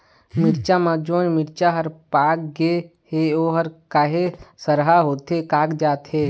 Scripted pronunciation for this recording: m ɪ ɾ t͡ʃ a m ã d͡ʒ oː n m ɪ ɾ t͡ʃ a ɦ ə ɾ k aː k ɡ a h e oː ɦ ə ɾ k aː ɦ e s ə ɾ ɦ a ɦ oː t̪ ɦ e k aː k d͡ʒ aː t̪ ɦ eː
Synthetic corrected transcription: m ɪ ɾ t͡ʃ a m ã d͡ʒ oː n m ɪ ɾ t͡ʃ a ɦ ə ɾ p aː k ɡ e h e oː ɦ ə ɾ k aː ɦ e s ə ɾ ɦ a ɦ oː t̪ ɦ e k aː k d͡ʒ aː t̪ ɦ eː